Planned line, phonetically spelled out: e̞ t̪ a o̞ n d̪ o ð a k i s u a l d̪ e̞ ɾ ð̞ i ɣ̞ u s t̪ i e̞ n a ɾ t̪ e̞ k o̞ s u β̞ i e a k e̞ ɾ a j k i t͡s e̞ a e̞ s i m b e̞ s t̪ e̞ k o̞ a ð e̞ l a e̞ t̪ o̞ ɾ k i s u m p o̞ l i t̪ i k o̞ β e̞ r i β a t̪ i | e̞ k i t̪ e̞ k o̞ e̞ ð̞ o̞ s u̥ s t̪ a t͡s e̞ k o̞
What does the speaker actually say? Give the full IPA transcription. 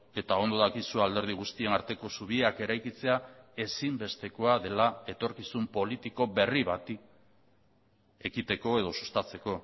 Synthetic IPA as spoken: e̞ t̪ a o̞ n d̪ o ð a k i s u a l d̪ e̞ ɾ ð̞ i ɣ̞ u s t̪ i e̞ n a ɾ t̪ e̞ k o̞ s u β̞ i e a k e̞ ɾ a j k i t͡s e̞ a e̞ s i m b e̞ s t̪ e̞ k o̞ a ð e̞ l a e̞ t̪ o̞ ɾ k i s u m p o̞ l i t̪ i k o̞ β e̞ r i β a t̪ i | e̞ k i t̪ e̞ k o̞ e̞ ð̞ o̞ s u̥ s t̪ a t͡s e̞ k o̞

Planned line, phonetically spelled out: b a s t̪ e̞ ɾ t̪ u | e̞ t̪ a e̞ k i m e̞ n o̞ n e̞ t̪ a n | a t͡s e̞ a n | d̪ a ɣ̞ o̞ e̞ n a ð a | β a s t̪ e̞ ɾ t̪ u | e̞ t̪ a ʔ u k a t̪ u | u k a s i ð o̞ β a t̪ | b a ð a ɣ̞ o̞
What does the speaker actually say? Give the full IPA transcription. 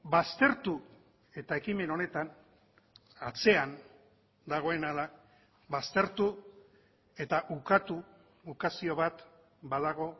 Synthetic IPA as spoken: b a s t̪ e̞ ɾ t̪ u | e̞ t̪ a e̞ k i m e̞ n o̞ n e̞ t̪ a n | a t͡s e̞ a n | d̪ a ɣ̞ o̞ e̞ n a ð a | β a s t̪ e̞ ɾ t̪ u | e̞ t̪ a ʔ u k a t̪ u | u k a s i o̞ β a t̪ | b a ð a ɣ̞ o̞

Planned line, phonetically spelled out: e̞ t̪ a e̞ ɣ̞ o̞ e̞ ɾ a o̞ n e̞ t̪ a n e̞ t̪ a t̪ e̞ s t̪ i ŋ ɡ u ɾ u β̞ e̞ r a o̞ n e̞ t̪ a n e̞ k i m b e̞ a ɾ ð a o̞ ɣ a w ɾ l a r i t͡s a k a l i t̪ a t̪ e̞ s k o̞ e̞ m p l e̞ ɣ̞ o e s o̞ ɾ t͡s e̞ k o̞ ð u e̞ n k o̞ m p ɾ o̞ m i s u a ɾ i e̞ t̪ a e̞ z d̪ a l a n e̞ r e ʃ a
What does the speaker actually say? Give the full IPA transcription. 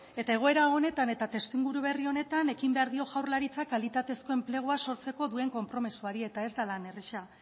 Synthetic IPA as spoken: e̞ t̪ a e̞ ɣ̞ o̞ e̞ ɾ a o̞ n e̞ t̪ a n e̞ t̪ a t̪ e̞ s t̪ i ŋ ɡ u ɾ u β̞ e̞ r i o̞ n e̞ t̪ a n e̞ k i m b e̞ a ɾ ð i o̞ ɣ a w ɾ l a ɾ i t͡s a k a l i t̪ a t̪ e̞ s k o̞ e̞ m p l e̞ ɣ̞ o a s o̞ ɾ t͡s e̞ k o̞ ð u e̞ ŋ k o̞ m p ɾ o̞ m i s u a ɾ i e̞ t̪ a e̞ z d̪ a l a n e̞ r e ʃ a

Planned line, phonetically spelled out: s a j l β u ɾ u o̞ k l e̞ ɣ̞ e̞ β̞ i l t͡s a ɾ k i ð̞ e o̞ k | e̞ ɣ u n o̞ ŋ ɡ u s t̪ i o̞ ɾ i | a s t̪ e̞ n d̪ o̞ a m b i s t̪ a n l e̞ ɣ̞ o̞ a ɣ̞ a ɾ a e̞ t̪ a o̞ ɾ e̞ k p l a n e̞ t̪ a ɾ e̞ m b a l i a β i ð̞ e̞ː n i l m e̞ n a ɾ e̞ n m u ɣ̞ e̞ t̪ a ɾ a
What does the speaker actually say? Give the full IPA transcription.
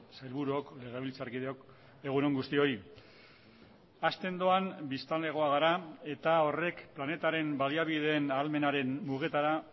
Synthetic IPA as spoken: s a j l β u ɾ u o̞ k l e̞ ɣ̞ e̞ β̞ i l t͡s a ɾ k i ð̞ e o̞ k | e̞ ɣ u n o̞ ŋ ɡ u s t̪ i o̞ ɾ i | a s t̪ e̞ n d̪ o̞ a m b i s t̪ a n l e̞ ɣ̞ o̞ a ɣ̞ a ɾ a e̞ t̪ a o̞ r e̞ k p l a n e̞ t̪ a ɾ e̞ m b a l i a β i ð̞ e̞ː n a l m e̞ n a ɾ e̞ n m u ɣ̞ e̞ t̪ a ɾ a

